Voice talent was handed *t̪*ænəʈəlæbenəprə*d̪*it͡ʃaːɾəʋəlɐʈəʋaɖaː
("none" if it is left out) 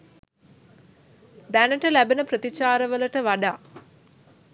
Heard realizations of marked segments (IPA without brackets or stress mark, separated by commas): d̪, t̪